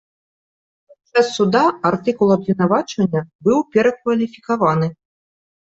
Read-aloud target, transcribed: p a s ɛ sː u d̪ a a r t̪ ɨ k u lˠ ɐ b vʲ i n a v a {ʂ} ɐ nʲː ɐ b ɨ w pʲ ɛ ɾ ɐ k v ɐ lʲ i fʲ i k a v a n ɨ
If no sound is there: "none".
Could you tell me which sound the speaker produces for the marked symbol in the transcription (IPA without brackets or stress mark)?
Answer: t͡ʂ